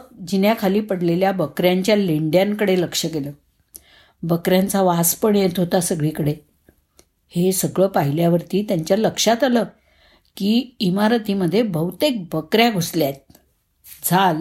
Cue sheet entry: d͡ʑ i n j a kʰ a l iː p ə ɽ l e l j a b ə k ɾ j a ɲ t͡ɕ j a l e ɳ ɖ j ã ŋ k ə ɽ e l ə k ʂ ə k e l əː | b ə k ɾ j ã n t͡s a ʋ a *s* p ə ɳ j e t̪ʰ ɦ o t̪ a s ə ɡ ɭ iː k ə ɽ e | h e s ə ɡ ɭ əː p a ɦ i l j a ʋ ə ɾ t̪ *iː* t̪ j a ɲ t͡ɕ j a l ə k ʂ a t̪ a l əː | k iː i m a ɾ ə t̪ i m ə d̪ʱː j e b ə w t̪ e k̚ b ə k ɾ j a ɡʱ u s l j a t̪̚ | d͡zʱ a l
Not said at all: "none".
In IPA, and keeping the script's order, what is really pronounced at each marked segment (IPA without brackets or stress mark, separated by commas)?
s, iː